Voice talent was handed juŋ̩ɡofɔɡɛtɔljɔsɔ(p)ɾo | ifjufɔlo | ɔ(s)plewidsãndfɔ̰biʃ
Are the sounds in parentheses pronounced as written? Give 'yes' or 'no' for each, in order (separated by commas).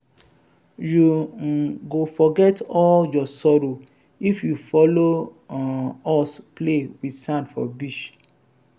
no, yes